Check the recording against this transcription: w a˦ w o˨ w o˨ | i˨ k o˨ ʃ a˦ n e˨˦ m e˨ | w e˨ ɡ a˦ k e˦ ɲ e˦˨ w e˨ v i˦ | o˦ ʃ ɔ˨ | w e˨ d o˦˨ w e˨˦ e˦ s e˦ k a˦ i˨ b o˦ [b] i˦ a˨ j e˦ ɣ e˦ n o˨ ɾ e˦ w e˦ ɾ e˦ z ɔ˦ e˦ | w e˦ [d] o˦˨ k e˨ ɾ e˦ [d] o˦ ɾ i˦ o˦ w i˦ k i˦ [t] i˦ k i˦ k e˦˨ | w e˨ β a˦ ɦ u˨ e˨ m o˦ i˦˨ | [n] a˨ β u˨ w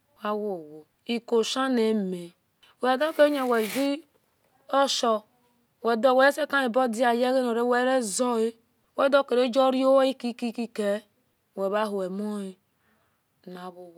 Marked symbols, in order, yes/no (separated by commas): no, yes, no, no, yes